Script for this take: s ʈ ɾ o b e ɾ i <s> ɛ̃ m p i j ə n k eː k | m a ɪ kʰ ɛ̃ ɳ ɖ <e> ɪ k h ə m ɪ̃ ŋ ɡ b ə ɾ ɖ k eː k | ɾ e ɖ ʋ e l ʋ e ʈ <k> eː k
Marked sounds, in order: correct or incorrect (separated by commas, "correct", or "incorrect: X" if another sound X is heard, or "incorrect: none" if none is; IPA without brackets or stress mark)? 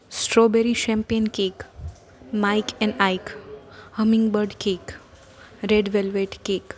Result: incorrect: ʃ, incorrect: a, correct